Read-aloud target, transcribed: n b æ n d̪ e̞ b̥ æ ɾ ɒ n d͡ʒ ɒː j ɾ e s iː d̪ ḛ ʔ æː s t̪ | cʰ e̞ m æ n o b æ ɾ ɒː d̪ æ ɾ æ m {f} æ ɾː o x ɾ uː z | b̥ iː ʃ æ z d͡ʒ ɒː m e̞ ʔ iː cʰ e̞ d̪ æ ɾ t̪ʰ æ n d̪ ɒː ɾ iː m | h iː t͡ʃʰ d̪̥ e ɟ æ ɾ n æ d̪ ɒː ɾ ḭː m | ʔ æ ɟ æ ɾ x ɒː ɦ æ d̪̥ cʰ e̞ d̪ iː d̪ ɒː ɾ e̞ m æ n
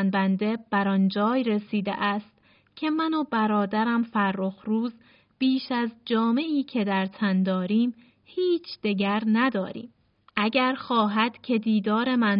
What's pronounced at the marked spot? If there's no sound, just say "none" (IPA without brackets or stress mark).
f